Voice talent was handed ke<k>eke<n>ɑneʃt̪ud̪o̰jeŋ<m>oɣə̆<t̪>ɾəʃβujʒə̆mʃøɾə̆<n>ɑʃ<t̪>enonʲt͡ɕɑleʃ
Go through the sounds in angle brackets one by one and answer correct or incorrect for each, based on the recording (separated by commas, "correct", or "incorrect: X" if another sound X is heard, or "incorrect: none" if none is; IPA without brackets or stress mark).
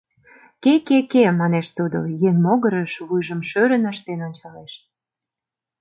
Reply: correct, incorrect: m, correct, incorrect: none, correct, correct